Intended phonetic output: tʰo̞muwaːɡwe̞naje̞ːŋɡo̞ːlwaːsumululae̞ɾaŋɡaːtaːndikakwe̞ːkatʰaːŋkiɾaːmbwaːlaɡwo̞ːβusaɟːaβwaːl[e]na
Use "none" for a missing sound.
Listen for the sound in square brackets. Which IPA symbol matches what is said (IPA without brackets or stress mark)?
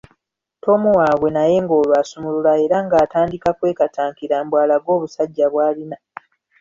i